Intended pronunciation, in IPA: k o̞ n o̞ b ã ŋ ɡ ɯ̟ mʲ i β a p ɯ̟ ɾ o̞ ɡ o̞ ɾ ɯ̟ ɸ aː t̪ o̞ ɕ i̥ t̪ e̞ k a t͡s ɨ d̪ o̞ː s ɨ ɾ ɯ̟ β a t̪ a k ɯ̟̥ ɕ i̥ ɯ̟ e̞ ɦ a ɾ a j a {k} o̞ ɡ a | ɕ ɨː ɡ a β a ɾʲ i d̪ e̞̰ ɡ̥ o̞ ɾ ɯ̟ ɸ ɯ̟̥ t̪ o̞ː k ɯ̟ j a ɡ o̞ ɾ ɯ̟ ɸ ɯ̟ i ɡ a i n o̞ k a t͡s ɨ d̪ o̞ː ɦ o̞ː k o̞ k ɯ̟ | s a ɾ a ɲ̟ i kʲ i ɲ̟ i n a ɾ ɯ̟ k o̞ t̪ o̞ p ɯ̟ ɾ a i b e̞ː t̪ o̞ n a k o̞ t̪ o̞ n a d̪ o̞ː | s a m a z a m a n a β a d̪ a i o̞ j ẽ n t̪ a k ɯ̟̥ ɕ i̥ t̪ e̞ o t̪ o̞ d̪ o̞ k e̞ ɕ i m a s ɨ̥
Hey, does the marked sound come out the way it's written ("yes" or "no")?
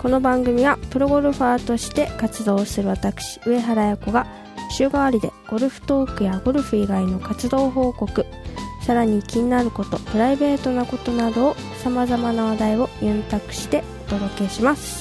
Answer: yes